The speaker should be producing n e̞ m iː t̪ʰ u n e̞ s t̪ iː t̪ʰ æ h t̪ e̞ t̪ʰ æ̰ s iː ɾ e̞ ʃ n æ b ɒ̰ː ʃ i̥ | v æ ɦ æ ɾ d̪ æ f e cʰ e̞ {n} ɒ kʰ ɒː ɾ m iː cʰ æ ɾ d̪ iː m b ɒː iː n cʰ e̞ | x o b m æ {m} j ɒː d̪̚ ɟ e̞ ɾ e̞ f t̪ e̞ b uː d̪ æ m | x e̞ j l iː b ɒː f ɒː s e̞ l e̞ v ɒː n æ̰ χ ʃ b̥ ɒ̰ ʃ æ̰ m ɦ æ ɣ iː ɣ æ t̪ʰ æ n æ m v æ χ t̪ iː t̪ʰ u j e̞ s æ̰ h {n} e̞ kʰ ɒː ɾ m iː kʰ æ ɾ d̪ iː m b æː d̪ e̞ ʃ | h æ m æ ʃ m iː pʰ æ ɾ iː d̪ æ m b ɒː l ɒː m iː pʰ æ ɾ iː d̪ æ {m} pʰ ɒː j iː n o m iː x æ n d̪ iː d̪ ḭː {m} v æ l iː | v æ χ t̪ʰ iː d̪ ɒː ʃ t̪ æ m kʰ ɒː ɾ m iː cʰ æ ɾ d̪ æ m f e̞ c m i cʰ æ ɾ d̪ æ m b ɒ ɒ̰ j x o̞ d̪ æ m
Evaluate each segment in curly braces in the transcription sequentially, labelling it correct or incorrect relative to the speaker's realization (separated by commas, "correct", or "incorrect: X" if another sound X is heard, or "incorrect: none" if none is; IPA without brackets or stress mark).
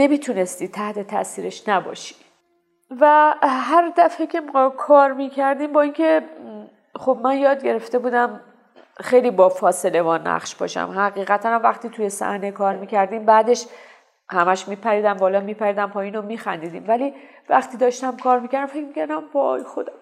incorrect: m, incorrect: n, correct, correct, correct